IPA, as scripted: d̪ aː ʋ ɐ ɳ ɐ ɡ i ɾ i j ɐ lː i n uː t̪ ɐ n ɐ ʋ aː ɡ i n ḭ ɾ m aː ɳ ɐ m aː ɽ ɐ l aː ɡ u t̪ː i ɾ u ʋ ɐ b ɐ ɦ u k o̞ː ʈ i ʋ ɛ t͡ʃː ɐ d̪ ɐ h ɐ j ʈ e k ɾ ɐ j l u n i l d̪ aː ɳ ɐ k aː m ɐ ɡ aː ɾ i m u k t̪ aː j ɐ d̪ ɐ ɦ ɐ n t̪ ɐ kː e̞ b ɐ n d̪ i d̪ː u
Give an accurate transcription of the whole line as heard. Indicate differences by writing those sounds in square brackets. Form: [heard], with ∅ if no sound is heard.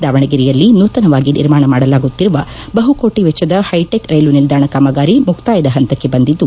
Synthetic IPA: d̪ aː ʋ ɐ ɳ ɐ ɡ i ɾ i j ɐ lː i n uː t̪ ɐ n ɐ ʋ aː ɡ i n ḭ ɾ m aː ɳ ɐ m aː ɽ ɐ l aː ɡ u t̪ː i ɾ u ʋ ɐ b ɐ ɦ u k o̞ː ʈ i ʋ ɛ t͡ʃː ɐ d̪ ɐ h ɐ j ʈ e k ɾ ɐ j l u n i l d̪ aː ɳ ɐ k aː m ɐ ɡ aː ɾ i m u k t̪ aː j ɐ d̪ ɐ ɦ ɐ n t̪ ɐ kː e̞ b ɐ n d̪ i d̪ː u